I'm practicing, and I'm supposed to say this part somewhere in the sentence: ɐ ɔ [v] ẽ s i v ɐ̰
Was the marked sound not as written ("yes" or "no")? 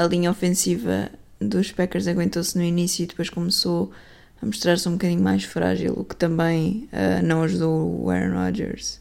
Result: yes